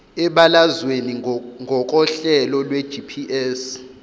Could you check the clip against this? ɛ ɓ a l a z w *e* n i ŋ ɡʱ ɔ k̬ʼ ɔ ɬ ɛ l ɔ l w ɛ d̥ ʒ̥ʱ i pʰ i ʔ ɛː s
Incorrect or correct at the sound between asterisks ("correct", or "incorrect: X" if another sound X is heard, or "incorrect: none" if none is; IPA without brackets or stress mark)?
correct